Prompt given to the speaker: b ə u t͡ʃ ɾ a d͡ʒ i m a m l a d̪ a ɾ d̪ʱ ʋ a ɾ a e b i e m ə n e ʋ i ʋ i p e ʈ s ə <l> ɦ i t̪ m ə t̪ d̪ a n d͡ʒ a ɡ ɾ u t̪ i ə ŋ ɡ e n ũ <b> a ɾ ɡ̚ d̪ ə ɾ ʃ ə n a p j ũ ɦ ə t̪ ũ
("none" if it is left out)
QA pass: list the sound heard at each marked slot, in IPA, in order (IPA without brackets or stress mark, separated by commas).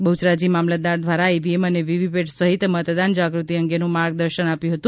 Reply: none, m